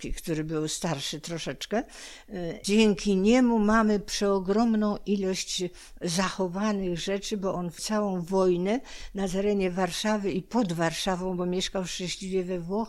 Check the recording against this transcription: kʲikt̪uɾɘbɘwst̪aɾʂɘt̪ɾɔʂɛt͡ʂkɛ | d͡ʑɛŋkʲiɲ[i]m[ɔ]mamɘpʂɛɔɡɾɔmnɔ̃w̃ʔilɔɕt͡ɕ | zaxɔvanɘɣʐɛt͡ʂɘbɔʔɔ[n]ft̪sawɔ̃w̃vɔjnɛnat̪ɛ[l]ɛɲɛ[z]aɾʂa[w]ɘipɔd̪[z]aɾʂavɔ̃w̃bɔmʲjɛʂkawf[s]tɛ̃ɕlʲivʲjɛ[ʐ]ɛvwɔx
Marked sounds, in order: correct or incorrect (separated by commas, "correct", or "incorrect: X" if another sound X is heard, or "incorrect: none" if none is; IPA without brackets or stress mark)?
incorrect: ɛ, incorrect: u, correct, incorrect: ɾ, incorrect: v, incorrect: v, incorrect: v, incorrect: ʂ, incorrect: v